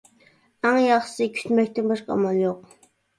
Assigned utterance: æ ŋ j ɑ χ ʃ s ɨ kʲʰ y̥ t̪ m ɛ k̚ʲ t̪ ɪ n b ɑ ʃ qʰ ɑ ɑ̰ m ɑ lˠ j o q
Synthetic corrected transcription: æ ŋ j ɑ χ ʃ s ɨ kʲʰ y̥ t̪ m ɛ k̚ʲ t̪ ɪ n b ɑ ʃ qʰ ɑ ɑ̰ m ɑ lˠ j o q